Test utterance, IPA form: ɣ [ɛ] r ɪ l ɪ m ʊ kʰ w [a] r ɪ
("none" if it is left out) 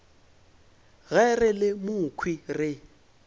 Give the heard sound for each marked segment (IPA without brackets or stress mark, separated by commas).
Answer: ɛ, i